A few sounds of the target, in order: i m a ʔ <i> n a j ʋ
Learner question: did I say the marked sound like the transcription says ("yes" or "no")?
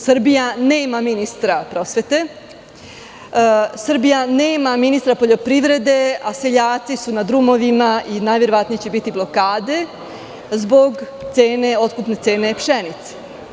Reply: yes